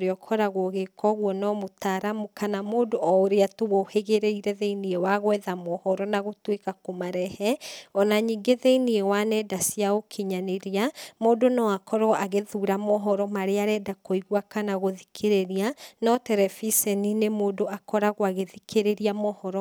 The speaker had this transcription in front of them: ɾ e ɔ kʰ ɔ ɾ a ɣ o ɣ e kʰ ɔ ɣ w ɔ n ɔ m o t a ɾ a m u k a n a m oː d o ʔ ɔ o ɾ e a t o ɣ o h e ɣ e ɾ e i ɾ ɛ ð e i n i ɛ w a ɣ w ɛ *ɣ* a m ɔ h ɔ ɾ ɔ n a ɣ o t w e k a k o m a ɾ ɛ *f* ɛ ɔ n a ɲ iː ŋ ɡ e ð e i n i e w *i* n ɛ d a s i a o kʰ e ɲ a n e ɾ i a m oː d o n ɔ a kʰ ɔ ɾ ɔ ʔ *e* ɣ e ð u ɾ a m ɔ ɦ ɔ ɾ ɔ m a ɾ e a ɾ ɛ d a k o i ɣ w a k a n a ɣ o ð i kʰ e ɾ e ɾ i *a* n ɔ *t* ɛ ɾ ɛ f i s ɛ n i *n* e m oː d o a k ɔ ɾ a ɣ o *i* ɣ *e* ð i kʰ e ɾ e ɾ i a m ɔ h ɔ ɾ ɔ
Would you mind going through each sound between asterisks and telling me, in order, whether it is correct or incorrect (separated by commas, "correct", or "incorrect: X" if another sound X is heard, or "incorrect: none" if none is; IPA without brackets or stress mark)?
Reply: incorrect: ð, incorrect: h, incorrect: a, incorrect: a, correct, correct, correct, incorrect: a, correct